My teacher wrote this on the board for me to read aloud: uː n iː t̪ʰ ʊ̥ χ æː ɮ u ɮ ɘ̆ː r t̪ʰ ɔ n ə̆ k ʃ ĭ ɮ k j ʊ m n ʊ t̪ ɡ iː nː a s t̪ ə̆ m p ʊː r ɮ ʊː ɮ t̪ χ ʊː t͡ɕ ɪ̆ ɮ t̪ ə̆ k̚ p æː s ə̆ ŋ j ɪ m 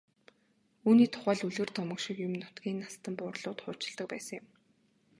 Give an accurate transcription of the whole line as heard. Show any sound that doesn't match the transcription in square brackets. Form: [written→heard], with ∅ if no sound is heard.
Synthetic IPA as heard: uː n iː t̪ʰ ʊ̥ χ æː ɮ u ɮ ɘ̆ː r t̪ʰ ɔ [n→m] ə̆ k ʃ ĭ [ɮ→∅] k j ʊ m n ʊ t̪ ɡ iː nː a s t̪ ə̆ m p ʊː r ɮ ʊː [ɮ→∅] t̪ χ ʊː t͡ɕ ɪ̆ ɮ t̪ ə̆ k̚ p æː s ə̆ ŋ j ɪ m